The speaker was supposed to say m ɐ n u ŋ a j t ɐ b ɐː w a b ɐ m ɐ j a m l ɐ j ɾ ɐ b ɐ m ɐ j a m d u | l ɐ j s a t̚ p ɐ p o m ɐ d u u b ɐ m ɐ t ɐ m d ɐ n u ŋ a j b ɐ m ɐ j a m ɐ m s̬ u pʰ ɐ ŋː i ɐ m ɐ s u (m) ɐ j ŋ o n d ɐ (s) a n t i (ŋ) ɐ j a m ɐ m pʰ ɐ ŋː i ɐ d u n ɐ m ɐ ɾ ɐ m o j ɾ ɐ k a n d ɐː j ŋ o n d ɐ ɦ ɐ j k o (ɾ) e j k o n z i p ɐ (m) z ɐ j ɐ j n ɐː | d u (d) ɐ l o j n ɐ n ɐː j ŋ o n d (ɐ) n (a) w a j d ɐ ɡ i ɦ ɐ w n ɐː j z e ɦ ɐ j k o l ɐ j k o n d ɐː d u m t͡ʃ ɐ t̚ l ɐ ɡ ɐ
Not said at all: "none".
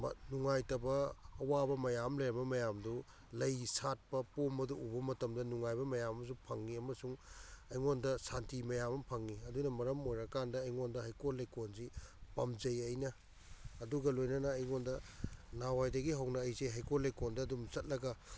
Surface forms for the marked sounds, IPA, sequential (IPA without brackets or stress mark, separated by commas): ŋ, s, m, l, m, ɡ, ɐ, a